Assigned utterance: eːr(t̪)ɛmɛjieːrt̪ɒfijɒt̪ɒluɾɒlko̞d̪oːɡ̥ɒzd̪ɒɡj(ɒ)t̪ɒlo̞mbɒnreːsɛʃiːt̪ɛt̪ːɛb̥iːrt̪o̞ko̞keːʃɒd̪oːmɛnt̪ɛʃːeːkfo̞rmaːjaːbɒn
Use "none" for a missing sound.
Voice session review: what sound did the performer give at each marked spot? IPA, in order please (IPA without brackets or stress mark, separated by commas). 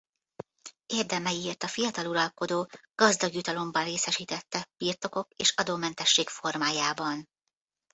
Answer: d̪, u